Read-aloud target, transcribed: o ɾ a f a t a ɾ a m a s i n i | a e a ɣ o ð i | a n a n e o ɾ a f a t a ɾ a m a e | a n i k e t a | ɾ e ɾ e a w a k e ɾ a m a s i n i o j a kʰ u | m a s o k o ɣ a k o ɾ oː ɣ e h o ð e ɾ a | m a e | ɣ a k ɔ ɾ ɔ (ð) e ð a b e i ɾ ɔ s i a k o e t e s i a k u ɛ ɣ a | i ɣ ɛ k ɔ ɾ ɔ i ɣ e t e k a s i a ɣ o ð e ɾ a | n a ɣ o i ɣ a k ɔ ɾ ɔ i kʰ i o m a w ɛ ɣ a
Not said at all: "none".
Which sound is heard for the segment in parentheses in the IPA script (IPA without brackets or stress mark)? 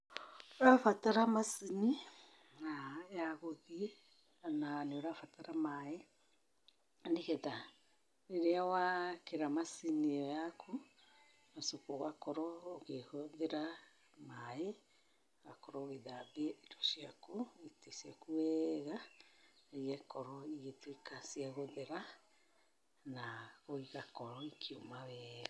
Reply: ɣ